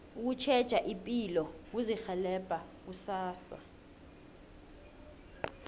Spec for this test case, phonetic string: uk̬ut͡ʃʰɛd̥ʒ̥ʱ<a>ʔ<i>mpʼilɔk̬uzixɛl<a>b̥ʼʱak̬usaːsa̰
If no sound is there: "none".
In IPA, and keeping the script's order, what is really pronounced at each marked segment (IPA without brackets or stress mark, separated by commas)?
a, i, ɛ